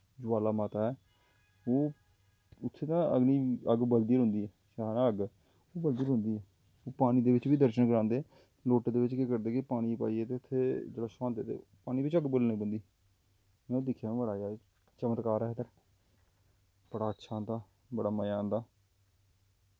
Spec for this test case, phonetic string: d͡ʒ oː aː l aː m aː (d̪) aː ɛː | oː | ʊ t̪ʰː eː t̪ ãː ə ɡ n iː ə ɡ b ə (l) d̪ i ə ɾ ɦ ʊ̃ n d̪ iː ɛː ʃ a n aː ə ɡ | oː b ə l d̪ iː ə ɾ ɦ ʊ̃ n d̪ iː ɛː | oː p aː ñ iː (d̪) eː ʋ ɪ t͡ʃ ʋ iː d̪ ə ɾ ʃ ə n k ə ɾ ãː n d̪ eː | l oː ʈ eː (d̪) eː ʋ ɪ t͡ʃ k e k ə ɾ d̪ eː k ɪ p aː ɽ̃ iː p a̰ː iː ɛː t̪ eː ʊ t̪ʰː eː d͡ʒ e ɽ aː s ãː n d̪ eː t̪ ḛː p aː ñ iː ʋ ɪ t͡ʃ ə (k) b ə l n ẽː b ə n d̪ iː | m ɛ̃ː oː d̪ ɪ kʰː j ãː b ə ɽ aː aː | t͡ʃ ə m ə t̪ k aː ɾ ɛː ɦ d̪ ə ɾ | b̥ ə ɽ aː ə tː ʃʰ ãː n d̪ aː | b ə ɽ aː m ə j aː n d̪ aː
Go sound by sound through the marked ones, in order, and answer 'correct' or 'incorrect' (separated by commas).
incorrect, correct, correct, correct, incorrect